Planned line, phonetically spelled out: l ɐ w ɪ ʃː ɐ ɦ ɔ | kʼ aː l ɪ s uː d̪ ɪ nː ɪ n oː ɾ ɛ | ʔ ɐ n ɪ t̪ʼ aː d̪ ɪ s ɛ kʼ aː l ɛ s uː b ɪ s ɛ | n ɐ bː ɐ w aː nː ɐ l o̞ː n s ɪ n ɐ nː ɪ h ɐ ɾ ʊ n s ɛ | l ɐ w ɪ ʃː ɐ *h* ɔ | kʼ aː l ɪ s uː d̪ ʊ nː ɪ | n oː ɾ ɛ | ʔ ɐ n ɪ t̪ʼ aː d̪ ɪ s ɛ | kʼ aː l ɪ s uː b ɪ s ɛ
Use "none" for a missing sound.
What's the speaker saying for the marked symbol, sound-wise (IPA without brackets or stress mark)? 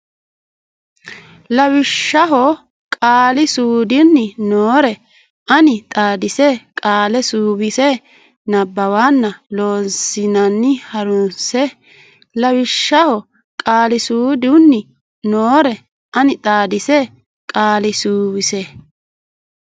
h